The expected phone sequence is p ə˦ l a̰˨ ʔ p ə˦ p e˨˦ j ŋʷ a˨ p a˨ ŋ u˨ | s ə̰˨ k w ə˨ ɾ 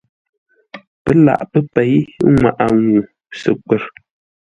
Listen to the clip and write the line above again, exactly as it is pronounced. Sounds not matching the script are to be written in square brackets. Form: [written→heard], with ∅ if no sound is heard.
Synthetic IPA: p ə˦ l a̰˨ ʔ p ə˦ p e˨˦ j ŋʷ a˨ [p→ʔ] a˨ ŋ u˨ | s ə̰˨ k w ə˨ ɾ